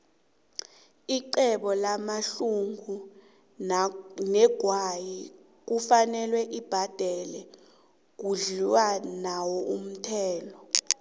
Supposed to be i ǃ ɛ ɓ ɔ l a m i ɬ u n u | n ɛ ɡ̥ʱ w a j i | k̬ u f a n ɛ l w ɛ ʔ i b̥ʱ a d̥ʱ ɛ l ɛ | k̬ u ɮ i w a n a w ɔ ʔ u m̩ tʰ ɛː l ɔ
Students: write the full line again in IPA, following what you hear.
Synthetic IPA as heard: i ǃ ɛ ɓ ɔ l a m a ɬ u ŋ u | n ɛ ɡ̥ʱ w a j i | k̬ u f a n ɛ l w ɛ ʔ i b̥ʱ a d̥ʱ ɛ l ɛ | k̬ u ɮ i w a n a w ɔ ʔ u m̩ tʰ ɛː l ɔ

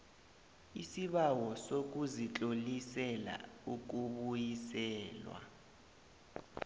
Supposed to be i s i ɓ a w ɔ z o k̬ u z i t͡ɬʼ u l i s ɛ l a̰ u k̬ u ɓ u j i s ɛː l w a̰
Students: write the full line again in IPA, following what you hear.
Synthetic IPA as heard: i s i ɓ a w ɔ s o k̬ u z i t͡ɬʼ o l i s ɛ l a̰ u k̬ u ɓ u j i s ɛː l w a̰

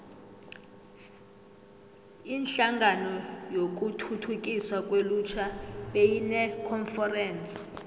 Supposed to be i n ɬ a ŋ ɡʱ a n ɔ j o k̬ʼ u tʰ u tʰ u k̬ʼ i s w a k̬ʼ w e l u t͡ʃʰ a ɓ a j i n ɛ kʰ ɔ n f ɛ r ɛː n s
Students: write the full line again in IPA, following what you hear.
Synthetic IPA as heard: i n ɬ a ŋ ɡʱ a n ɔ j o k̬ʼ u tʰ u tʰ u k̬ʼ i s w a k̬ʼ w e l u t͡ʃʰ a ɓ e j i n ɛ kʰ ɔ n f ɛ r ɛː n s

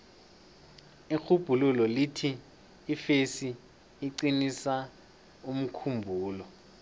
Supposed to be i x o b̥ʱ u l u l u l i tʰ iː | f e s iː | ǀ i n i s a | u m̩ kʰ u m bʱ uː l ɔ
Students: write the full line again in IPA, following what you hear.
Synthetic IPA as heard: i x u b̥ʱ u l u l ɔ l i tʰ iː | f e s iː | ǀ i n i s a | u m̩ kʰ u m bʱ uː l ɔ

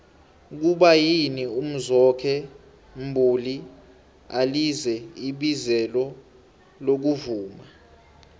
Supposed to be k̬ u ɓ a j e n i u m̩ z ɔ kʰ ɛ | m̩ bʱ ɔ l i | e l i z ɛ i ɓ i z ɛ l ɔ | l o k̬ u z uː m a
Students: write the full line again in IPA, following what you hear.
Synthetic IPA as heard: k̬ u ɓ a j i n i u m̩ z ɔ kʰ ɛ | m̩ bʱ u l i | a l i z ɛ i ɓ i z ɛ l ɔ | l o k̬ u v uː m a

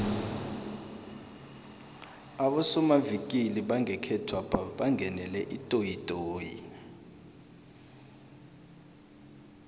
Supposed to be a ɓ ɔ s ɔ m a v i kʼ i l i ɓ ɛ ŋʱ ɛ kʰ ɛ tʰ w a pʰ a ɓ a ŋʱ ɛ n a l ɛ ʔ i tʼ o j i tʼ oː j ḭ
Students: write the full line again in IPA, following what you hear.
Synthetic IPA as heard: a ɓ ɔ s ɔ m a v i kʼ i l i ɓ a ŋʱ ɛ kʰ ɛ tʰ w a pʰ a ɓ a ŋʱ ɛ n ɛ l ɛ ʔ i tʼ o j i tʼ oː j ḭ

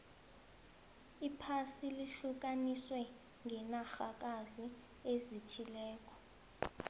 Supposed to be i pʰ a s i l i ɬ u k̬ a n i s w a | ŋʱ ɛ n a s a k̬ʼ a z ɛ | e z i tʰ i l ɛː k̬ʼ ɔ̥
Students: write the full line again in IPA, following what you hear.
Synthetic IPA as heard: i pʰ a s i l i ɬ u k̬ a n i s w ɛ | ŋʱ ɛ n a x a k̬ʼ a z i | e z i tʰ i l ɛː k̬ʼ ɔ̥

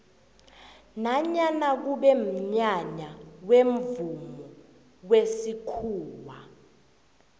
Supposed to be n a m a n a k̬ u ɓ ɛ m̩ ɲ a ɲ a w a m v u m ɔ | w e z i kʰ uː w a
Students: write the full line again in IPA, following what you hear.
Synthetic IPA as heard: n a ɲ a n a k̬ u ɓ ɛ m̩ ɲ a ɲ a w e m v u m ɔ | w e s i kʰ uː w a

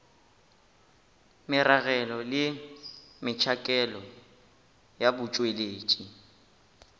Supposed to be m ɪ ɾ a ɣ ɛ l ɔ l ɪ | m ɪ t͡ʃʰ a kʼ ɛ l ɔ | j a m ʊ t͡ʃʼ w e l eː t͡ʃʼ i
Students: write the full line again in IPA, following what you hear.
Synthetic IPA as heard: m ɪ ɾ a ɣ ɛ l ɔ l ɪ | m ɪ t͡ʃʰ a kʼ ɛ l ɔ | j a b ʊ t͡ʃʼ w e l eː t͡ʃʼ i

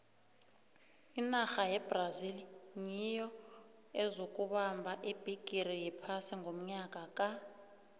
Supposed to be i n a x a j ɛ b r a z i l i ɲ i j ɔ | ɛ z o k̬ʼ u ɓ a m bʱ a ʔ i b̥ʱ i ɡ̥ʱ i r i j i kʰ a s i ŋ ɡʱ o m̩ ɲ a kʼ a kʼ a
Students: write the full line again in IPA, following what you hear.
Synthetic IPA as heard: i n a x a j ɛ b r a z i l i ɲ i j ɔ | ɛ z o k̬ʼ u ɓ a m bʱ a ʔ i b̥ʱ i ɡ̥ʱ i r i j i pʰ a s i ŋ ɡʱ o m̩ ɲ a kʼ a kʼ a

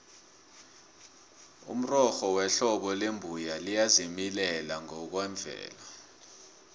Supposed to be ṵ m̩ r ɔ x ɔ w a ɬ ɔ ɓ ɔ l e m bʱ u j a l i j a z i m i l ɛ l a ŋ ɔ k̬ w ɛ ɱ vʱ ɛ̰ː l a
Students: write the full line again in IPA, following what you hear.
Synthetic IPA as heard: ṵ m̩ r ɔ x ɔ w ɛ ɬ ɔ ɓ ɔ l e m bʱ u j a l i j a z i m i l ɛ l a ŋ ɔ k̬ w ɛ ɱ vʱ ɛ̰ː l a

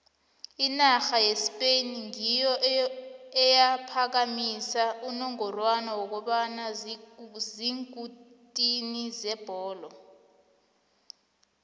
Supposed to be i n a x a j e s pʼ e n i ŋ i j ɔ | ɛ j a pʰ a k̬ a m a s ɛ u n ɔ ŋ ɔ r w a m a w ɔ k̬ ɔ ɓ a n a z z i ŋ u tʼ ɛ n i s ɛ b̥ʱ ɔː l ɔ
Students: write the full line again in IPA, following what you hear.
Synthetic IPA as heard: i n a x a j e s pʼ e n i ŋ i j ɔ | ɛ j a pʰ a k̬ a m i s a u n ɔ ŋ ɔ r w a n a w ɔ k̬ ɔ ɓ a n a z z i ŋ u tʼ i n i z ɛ b̥ʱ ɔː l ɔ

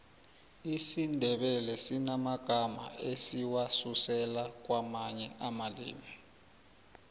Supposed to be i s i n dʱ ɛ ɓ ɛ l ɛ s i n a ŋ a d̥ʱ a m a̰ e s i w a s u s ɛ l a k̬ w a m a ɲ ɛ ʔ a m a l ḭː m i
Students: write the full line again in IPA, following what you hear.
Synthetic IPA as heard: i s i n dʱ ɛ ɓ ɛ l ɛ s i n a m a ɡ̥ʱ a m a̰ e s i w a s u s ɛ l a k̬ w a m a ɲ ɛ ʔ a m a l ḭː m i

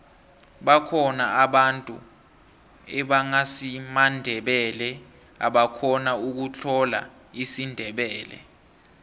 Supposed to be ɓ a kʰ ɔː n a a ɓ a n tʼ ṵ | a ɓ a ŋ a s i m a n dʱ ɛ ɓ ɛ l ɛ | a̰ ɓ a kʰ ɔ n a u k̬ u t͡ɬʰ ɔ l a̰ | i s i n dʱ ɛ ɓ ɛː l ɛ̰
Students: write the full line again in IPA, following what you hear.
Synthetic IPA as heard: ɓ a kʰ ɔ n a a ɓ a n tʼ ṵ | ɛ ɓ a ŋ a s i m a n dʱ ɛ ɓ ɛ l ɛ | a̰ ɓ a kʰ ɔ n a u k̬ u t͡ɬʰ ɔ l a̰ | i s i n dʱ ɛ ɓ ɛː l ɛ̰

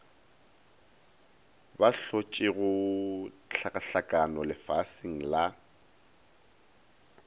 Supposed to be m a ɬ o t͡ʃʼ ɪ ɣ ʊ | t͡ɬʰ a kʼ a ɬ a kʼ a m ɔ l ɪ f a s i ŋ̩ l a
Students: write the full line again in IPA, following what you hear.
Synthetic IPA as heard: b a ɬ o t͡ʃʼ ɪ ɣ ʊ | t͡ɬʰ a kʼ a ɬ a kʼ a n ɔ l ɪ f a s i ŋ̩ l a

